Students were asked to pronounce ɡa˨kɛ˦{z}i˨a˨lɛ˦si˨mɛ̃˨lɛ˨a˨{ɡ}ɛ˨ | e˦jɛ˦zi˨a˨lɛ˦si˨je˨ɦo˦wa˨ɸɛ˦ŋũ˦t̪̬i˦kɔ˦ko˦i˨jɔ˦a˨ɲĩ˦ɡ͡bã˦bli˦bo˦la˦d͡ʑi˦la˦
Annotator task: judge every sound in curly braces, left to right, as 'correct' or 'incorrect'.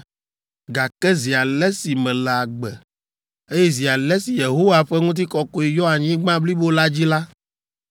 correct, incorrect: ɡ͡b

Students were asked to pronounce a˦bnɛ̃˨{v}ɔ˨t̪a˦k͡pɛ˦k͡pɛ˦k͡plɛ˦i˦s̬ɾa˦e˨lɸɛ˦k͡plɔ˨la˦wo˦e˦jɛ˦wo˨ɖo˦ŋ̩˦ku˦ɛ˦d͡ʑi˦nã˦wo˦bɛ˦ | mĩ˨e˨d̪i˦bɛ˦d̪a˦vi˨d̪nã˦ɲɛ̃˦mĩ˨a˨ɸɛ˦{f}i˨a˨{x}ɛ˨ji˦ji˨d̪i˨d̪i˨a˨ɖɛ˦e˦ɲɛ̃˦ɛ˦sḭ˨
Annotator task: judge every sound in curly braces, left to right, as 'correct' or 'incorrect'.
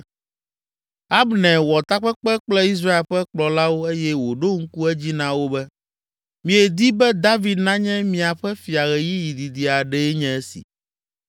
incorrect: w, correct, incorrect: ɣ

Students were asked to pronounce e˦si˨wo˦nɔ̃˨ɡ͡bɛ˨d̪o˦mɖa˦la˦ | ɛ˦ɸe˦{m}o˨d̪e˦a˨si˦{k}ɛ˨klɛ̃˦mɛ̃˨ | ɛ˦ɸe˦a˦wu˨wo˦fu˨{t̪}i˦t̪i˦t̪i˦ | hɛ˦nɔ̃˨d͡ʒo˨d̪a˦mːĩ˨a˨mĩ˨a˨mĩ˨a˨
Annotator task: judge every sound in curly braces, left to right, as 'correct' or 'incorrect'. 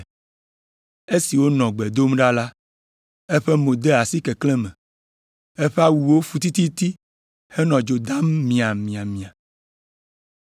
correct, correct, correct

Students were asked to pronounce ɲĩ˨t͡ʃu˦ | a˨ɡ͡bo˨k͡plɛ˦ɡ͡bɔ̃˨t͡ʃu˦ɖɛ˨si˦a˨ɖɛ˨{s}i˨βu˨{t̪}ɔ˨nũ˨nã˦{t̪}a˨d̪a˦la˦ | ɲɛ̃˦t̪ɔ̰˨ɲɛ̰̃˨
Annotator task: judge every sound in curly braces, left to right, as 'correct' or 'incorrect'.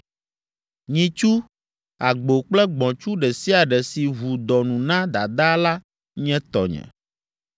correct, incorrect: d̪, incorrect: d̪

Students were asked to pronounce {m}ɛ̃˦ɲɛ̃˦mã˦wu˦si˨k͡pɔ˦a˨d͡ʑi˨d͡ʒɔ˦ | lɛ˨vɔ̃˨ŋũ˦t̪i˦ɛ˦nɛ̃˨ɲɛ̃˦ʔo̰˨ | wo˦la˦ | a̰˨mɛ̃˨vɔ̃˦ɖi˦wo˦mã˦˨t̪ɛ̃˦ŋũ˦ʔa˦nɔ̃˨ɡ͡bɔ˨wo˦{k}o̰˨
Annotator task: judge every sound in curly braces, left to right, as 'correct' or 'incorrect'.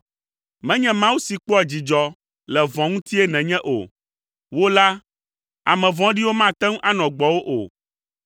correct, incorrect: ʔ

